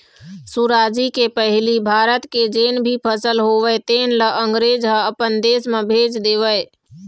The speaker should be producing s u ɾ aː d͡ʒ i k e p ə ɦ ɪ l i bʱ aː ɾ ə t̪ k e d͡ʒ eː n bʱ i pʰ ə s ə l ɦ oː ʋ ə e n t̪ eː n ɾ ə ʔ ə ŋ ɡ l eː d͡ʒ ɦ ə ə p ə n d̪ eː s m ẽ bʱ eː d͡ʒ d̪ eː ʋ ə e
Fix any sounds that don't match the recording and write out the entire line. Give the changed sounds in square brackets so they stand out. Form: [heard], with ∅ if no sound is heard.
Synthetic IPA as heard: s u ɾ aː d͡ʒ i k e p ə ɦ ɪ l i bʱ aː ɾ ə t̪ k e d͡ʒ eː n bʱ i pʰ ə s ə l ɦ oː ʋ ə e [∅] t̪ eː n [l] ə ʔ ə ŋ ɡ [ɾ] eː d͡ʒ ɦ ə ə p ə n d̪ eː s m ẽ bʱ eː d͡ʒ d̪ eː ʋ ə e